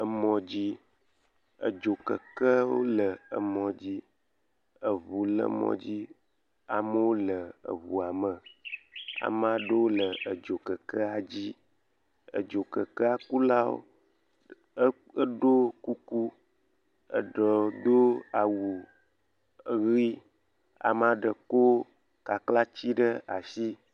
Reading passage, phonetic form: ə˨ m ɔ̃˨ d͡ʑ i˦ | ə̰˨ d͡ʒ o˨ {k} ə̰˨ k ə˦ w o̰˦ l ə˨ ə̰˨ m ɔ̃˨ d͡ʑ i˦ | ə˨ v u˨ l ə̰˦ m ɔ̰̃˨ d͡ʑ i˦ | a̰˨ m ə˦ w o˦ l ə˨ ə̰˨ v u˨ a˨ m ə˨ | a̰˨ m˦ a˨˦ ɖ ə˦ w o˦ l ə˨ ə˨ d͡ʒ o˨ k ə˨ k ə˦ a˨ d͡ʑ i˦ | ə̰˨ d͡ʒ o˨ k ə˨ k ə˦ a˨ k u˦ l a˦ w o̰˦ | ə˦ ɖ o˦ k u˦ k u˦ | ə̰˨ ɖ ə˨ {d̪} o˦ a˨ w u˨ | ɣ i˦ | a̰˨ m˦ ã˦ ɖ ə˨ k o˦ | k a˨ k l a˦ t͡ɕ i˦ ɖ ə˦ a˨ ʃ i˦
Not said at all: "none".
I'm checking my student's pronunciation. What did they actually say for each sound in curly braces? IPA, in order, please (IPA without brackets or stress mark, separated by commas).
k, d̪